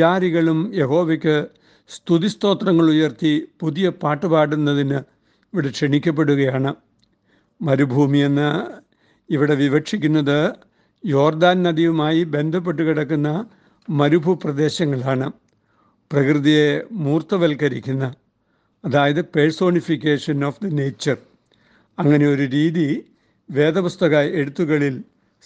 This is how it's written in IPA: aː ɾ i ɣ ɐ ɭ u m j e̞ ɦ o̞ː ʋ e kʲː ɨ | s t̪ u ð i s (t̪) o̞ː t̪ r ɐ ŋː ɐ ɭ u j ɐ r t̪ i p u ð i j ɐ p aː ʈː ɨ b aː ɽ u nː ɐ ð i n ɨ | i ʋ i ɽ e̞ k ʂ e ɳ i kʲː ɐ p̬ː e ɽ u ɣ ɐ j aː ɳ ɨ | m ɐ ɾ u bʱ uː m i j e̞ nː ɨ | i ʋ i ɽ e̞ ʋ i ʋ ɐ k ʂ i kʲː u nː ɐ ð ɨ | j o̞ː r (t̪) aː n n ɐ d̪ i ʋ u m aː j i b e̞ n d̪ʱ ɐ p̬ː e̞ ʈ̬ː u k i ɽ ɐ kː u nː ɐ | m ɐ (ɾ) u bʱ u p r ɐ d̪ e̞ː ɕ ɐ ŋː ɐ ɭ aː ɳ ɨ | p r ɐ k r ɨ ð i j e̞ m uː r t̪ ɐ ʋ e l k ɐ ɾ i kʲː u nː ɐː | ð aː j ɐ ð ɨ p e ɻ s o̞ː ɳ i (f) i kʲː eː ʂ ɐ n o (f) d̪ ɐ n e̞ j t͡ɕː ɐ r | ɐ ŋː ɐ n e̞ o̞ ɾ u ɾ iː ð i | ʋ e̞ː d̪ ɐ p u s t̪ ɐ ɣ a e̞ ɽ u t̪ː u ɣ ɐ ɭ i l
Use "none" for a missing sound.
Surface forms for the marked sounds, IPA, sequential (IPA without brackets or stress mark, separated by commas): t̪, d̪, ɾ, f, f